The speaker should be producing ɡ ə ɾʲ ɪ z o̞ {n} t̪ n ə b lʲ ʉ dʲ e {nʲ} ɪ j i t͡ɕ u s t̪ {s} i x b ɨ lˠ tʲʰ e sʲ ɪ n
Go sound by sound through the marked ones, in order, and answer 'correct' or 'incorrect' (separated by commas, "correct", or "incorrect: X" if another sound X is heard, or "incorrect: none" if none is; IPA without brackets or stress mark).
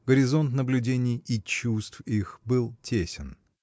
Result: correct, correct, incorrect: f